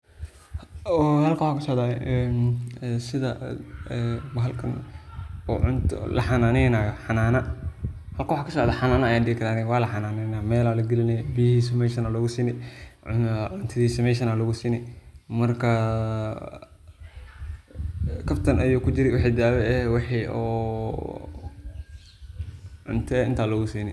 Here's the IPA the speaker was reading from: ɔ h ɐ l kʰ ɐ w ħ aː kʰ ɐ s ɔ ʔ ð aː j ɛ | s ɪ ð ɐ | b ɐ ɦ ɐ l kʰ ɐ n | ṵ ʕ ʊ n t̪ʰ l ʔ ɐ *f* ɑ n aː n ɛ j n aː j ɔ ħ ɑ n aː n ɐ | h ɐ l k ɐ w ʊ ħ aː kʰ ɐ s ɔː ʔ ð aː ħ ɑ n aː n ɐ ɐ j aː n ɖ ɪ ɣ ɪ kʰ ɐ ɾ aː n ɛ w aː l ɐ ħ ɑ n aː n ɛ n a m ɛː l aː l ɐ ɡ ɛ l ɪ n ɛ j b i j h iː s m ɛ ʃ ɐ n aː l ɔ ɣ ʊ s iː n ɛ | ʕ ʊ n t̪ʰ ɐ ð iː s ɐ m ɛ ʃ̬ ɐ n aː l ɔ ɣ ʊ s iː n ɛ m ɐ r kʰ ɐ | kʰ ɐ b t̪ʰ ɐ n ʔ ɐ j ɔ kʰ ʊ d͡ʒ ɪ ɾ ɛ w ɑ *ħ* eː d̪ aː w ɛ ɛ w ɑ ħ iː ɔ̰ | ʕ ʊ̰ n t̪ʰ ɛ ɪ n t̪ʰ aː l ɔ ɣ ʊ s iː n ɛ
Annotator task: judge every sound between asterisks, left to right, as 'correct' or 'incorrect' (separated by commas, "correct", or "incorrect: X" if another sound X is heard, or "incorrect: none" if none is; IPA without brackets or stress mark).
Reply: incorrect: ħ, correct